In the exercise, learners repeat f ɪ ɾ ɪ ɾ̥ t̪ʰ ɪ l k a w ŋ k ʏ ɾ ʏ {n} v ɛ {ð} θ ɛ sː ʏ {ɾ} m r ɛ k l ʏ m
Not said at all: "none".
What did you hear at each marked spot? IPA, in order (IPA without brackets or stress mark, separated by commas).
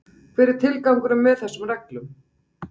m, ð, none